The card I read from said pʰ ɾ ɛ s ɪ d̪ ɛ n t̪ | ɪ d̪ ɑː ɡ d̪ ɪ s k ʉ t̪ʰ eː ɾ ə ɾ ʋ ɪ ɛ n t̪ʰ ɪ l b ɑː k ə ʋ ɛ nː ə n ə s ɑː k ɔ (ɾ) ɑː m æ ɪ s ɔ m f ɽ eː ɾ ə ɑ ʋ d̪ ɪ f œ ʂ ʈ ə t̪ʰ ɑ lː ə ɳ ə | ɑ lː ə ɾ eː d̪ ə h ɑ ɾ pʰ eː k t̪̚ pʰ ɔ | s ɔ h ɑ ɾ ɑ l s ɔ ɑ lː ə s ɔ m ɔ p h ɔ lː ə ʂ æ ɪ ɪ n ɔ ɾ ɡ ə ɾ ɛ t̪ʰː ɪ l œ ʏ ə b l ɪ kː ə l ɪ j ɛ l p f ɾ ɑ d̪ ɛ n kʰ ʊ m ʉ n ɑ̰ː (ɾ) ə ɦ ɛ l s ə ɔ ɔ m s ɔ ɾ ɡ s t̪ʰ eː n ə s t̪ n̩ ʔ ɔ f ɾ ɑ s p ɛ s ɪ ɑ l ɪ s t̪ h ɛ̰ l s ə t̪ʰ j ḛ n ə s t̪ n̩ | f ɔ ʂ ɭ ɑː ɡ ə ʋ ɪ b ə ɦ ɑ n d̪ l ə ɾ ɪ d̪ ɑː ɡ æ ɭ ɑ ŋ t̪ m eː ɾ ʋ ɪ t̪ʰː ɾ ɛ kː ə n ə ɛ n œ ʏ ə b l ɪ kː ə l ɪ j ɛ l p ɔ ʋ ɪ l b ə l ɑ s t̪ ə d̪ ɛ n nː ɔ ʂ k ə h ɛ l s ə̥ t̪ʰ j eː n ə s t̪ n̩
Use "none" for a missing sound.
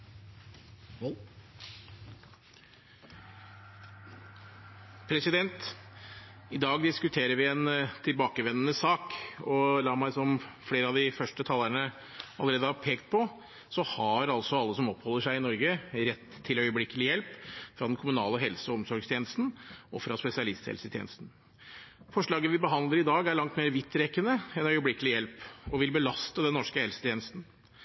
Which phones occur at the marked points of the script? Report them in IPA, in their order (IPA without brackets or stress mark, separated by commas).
l, l